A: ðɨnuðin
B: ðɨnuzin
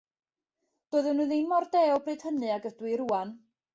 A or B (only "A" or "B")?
A